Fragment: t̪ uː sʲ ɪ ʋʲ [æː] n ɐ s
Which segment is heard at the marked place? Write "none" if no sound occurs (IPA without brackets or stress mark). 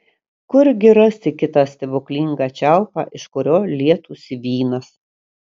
iː